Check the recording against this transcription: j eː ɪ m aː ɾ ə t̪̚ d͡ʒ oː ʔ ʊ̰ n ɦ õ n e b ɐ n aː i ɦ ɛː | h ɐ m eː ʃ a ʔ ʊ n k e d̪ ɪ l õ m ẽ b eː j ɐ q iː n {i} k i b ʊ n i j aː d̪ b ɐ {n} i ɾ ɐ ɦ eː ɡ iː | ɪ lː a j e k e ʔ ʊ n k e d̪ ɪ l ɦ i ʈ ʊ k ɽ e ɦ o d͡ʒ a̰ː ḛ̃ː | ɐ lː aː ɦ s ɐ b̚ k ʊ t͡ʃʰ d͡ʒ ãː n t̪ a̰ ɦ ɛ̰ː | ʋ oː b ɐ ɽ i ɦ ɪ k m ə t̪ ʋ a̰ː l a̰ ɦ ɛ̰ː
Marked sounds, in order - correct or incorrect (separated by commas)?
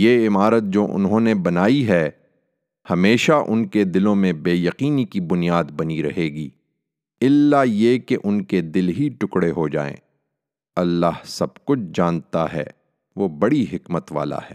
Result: correct, correct